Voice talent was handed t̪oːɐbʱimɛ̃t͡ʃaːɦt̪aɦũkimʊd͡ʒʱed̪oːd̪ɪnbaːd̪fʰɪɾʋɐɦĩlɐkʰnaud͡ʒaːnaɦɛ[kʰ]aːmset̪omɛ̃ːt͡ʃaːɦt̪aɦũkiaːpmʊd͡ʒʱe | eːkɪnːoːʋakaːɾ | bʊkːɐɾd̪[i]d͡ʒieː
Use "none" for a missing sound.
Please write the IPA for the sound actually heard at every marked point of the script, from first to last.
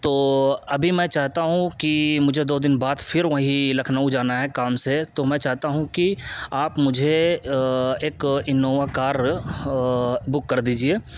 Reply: k, iː

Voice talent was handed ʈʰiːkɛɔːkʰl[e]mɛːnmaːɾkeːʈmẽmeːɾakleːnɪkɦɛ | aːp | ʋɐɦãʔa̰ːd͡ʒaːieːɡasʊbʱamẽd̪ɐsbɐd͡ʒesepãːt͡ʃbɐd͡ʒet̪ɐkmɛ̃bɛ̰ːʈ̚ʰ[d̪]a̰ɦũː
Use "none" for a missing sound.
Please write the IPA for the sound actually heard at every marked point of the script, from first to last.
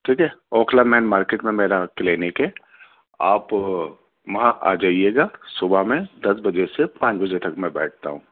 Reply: a, t̪

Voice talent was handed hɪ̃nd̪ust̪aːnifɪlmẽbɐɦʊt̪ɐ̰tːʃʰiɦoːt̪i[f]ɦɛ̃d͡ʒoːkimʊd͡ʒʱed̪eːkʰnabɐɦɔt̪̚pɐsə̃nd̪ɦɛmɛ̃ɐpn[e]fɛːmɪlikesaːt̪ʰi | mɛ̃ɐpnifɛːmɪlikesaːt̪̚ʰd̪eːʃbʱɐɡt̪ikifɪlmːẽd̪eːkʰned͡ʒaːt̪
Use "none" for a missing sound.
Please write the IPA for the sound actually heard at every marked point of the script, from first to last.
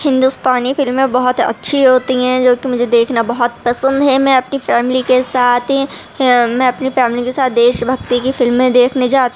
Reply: none, i

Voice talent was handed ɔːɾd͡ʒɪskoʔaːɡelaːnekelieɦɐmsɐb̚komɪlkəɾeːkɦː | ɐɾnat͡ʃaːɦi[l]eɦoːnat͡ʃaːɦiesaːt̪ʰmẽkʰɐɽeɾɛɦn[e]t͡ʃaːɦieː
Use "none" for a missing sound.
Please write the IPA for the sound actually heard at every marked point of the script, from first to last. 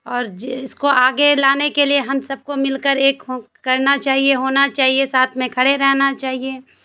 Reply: none, a

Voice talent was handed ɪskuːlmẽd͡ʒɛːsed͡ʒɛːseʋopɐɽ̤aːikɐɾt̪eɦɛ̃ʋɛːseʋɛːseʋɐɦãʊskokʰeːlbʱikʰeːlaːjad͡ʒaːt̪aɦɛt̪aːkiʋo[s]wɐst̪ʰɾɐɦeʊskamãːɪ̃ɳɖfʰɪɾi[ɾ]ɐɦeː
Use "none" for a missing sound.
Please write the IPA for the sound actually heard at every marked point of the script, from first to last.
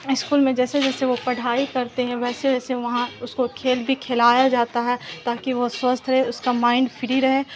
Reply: s, ɾ

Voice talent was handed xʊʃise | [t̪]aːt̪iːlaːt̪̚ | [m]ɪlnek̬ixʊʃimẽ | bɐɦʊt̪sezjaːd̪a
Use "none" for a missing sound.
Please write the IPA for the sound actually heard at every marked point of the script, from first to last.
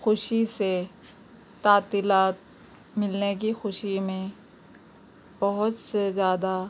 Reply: t̪, m

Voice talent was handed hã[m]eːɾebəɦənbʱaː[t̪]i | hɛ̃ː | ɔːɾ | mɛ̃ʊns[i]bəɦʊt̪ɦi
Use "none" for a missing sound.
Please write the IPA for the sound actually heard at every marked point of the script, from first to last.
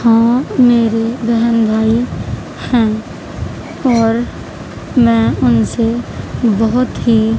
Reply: m, none, e

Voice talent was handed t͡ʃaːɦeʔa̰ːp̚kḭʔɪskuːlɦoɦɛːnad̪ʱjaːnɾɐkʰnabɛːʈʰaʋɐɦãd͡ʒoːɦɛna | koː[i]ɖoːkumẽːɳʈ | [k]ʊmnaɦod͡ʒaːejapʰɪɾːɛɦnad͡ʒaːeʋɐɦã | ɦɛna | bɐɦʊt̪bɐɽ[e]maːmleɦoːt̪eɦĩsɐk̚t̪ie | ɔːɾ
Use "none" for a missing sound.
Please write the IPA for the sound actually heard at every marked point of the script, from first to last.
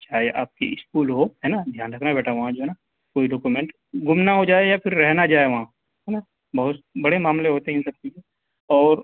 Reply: i, ɡ, e

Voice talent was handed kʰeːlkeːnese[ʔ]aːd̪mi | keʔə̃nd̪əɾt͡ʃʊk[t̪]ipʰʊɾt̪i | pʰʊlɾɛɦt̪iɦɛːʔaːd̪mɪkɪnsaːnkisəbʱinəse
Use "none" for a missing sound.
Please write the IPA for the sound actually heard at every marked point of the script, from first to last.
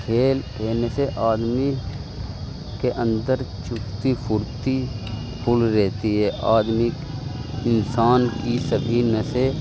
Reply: ʔ, t̪

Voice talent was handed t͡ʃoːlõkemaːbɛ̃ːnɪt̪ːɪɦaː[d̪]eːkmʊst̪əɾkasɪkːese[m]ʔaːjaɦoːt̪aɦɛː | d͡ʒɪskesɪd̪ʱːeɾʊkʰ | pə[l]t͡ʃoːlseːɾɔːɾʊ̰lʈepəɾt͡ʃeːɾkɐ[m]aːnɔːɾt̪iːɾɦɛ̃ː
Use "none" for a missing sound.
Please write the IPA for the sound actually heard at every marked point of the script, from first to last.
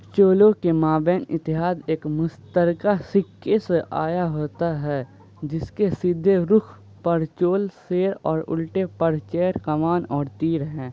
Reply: d̪, none, ɾ, m

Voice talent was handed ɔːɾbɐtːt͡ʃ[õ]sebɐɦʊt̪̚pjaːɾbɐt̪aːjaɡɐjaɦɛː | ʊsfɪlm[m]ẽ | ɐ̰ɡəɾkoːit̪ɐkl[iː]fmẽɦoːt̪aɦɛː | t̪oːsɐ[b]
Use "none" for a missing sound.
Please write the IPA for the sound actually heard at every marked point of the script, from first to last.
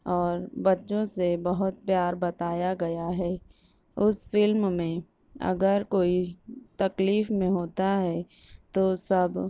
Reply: õ, m, iː, b

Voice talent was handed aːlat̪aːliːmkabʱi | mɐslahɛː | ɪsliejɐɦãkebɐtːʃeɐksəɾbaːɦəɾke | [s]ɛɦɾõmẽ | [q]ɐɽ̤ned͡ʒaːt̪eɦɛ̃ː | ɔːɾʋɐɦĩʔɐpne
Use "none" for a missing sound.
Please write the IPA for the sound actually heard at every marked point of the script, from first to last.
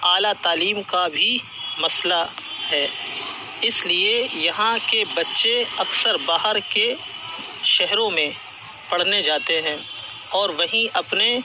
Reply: ʃ, p

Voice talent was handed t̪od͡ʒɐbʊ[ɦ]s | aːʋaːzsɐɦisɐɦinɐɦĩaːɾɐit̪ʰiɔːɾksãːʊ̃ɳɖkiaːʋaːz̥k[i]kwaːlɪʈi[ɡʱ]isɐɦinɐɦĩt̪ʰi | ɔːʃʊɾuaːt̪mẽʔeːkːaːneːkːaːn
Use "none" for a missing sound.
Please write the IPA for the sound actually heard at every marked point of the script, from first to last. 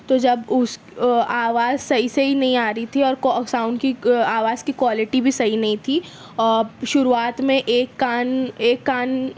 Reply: none, i, bʱ

